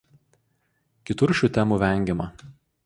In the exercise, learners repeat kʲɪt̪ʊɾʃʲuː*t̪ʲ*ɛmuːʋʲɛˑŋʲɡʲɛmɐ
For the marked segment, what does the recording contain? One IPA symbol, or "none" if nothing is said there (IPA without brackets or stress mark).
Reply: t̪ʲ